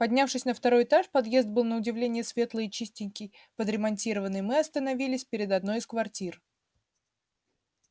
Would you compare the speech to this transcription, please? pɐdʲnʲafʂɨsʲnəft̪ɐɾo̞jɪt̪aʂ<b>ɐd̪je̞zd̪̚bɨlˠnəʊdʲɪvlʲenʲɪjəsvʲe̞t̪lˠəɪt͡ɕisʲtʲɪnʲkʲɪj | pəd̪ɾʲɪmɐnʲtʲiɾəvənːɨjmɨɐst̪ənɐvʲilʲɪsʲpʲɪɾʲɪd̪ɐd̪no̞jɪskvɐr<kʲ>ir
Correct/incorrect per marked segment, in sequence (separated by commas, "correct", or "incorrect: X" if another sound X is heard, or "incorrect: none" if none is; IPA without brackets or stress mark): incorrect: p, incorrect: tʲ